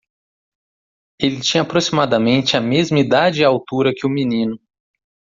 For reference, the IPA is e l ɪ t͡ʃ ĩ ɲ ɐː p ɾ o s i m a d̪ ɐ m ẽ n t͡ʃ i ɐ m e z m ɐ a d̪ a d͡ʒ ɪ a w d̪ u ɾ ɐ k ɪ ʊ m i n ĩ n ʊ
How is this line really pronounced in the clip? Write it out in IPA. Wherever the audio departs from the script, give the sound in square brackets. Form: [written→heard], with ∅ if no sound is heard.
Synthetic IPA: e l ɪ t͡ʃ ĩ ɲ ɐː p ɾ o s i m a d̪ ɐ m ẽ n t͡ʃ [i→ɪ] ɐ m e z m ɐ [a→i] d̪ a d͡ʒ ɪ a w [d̪→t̪] u ɾ ɐ k ɪ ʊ m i n ĩ n ʊ